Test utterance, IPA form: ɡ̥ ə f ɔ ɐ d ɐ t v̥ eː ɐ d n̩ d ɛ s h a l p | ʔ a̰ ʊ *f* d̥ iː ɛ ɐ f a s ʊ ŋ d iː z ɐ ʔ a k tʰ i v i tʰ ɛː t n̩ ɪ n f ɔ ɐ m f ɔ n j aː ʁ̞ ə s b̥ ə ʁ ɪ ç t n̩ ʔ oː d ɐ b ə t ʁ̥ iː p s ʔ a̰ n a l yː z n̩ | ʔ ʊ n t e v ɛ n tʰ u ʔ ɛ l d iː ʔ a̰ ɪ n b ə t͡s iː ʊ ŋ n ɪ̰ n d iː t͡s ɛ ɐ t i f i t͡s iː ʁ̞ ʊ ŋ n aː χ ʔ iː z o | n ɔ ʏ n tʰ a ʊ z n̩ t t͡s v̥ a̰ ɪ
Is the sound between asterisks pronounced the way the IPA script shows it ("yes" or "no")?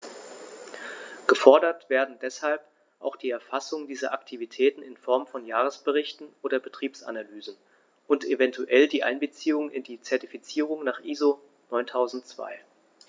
no